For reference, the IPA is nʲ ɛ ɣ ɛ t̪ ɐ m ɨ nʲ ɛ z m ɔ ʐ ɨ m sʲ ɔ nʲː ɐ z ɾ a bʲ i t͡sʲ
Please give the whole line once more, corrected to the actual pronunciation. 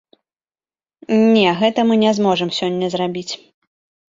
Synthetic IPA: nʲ ɛ ɣ ɛ t̪ ɐ m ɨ nʲ ɛ z m ɔ ʐ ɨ m sʲ ɔ nʲː ɐ z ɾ a bʲ i t͡sʲ

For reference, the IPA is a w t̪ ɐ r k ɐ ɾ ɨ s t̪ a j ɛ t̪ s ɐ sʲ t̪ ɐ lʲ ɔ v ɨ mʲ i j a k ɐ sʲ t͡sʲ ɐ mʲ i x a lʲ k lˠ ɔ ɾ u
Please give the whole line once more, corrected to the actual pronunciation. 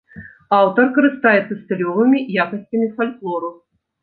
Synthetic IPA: a w t̪ ɐ r k ɐ ɾ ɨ s t̪ a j ɛ t̪ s ɐ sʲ t̪ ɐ lʲ ɔ v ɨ mʲ i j a k ɐ sʲ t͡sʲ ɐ mʲ i f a lʲ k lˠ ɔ ɾ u

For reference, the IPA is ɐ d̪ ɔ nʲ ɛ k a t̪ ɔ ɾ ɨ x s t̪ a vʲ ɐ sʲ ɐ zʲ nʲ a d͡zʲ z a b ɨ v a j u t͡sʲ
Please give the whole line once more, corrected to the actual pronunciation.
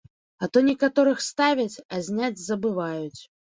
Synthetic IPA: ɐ t̪ ɔ nʲ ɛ k a t̪ ɔ ɾ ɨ x s t̪ a vʲ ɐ t͡sʲ ɐ zʲ nʲ a d͡zʲ z ɐ b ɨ v a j u t͡sʲ

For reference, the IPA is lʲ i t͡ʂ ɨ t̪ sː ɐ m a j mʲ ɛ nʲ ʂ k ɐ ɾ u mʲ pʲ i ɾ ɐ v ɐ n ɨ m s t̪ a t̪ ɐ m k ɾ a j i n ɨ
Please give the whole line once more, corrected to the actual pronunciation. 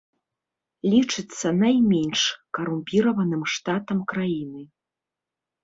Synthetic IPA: lʲ i t͡ʂ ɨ t̪ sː ɐ n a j mʲ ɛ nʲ ʂ k ɐ ɾ u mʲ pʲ i ɾ ɐ v ɐ n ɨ m ʂ t̪ a t̪ ɐ m k ɾ a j i n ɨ

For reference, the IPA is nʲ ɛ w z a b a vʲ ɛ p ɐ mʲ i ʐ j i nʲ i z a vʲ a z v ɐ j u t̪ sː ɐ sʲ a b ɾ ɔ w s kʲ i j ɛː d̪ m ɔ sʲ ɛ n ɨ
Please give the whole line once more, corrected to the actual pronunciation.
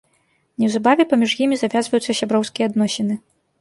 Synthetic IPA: nʲ ɛ w z a b a vʲ ɛ p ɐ mʲ i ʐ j i mʲ i z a vʲ a z v ɐ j u t̪ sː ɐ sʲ a b ɾ ɔ w s kʲ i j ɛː d̪ n ɔ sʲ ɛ n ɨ

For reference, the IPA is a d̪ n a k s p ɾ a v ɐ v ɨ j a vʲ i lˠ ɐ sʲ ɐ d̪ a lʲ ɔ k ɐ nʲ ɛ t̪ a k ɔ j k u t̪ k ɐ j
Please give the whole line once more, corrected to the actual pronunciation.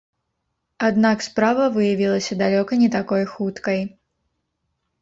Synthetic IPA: a d̪ n a k s p ɾ a v ɐ v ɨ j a vʲ i lˠ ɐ sʲ ɐ d̪ a lʲ ɔ k ɐ nʲ ɛ t̪ a k ɔ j x u t̪ k ɐ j

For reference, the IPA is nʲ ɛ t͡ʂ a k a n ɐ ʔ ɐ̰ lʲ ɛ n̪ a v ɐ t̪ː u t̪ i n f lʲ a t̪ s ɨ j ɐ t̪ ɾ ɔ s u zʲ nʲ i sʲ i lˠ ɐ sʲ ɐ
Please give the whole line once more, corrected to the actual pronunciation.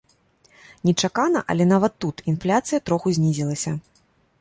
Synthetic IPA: nʲ ɛ t͡ʂ a k a n ɐ ʔ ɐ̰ lʲ ɛ n̪ a v ɐ t̪ː u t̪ i n f lʲ a t̪ s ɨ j ɐ t̪ ɾ ɔ x u zʲ nʲ i zʲ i lˠ ɐ sʲ ɐ

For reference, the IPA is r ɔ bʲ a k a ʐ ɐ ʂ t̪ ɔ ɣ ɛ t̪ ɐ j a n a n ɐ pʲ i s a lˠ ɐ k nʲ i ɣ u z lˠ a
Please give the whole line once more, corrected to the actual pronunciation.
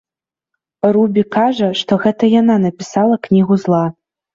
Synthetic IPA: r u bʲ i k a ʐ ɐ ʂ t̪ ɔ ɣ ɛ t̪ ɐ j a n a n ɐ pʲ i s a lˠ ɐ k nʲ i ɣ u z lˠ a

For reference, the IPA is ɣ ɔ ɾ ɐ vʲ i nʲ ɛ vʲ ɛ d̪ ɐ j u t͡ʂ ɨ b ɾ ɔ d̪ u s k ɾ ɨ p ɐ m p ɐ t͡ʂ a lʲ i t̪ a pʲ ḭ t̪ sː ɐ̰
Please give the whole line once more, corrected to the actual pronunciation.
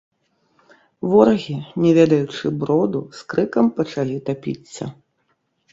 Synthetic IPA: v ɔ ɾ ɐ ɣʲ i nʲ ɛ vʲ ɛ d̪ ɐ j u t͡ʂ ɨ b ɾ ɔ d̪ u s k ɾ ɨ k ɐ m p ɐ t͡ʂ a lʲ i t̪ a pʲ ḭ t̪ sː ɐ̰

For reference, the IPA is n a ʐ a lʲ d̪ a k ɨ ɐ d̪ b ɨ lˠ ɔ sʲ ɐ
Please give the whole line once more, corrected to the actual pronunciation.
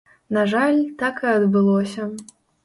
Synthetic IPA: n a ʐ a lʲ t̪ a k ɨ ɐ d̪ b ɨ lˠ ɔ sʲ ɐ

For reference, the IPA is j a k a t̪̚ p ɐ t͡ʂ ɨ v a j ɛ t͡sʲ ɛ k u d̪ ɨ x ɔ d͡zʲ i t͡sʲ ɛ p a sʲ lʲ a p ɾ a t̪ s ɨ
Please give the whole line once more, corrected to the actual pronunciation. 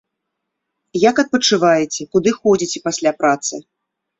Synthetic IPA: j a k ɐ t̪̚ p ɐ t͡ʂ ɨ v a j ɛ t͡sʲ ɛ k u d̪ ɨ x ɔ d͡zʲ i t͡sʲ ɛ p a sʲ lʲ a p ɾ a t̪ s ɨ

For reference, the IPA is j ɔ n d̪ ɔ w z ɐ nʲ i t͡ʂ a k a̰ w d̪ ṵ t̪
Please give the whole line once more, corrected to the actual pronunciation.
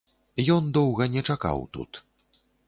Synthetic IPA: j ɔ n d̪ ɔ w ɣ ɐ nʲ ɛ t͡ʂ a k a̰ w t̪ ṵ t̪

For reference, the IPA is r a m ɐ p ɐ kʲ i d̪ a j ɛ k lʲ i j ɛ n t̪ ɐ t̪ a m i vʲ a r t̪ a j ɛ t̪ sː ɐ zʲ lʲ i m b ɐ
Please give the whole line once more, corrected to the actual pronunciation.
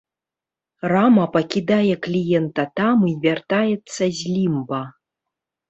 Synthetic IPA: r a m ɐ p ɐ kʲ i d̪ a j ɛ k lʲ i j ɛ n t̪ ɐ t̪ a m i vʲ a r t̪ a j ɛ t̪ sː ɐ zʲ lʲ i m b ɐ

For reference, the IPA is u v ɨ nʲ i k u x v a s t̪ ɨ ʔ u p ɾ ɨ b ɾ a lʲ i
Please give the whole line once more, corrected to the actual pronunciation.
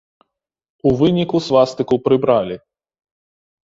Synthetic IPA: u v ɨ nʲ i k u s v a s t̪ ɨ k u p ɾ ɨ b ɾ a lʲ i

